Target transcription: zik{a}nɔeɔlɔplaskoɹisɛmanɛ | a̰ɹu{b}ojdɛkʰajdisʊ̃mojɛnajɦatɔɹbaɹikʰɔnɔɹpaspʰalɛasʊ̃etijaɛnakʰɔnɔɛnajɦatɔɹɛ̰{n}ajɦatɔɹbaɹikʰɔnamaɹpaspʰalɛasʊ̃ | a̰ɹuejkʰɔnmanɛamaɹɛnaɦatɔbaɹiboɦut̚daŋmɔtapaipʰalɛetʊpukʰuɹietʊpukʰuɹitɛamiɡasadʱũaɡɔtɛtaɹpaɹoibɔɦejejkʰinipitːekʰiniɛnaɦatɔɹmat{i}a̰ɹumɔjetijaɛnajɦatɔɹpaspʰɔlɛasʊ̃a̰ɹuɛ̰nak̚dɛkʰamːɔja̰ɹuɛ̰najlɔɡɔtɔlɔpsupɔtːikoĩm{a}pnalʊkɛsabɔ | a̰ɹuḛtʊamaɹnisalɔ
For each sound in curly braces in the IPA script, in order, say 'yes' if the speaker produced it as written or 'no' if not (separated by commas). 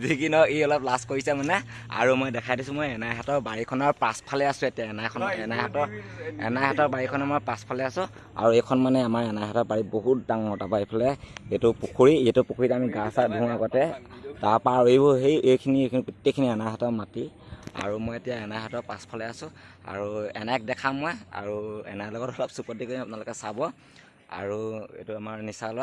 no, no, yes, yes, yes